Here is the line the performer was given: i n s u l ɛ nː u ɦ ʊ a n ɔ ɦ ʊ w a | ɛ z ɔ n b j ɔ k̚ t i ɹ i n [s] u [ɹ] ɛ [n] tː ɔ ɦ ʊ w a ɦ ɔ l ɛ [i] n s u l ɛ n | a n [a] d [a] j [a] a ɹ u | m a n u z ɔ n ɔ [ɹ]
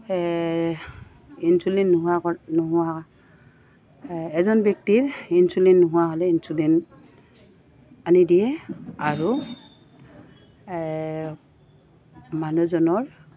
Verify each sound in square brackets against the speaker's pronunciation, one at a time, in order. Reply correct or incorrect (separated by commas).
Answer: correct, incorrect, correct, correct, incorrect, incorrect, incorrect, correct